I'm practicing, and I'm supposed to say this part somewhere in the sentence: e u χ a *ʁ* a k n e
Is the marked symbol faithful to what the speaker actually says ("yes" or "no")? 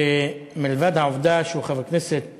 no